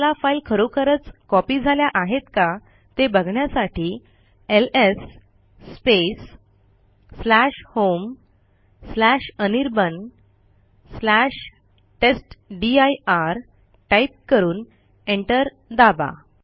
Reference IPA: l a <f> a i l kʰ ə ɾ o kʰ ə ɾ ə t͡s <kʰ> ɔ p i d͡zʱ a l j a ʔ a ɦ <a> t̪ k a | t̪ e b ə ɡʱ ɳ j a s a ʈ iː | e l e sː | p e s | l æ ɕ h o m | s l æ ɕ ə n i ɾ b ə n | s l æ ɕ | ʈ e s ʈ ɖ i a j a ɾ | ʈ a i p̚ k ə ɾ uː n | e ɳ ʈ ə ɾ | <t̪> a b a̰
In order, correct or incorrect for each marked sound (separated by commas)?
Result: correct, incorrect, incorrect, incorrect